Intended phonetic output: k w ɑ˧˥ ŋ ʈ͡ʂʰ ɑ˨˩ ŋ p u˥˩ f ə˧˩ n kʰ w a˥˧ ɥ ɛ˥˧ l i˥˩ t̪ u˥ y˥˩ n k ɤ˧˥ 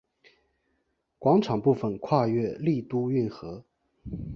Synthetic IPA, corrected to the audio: k w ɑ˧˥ ŋ ʈ͡ʂʰ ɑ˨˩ ŋ p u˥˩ f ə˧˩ n kʰ w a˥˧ ɥ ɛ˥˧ l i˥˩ t̪ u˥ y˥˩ n x ɤ˧˥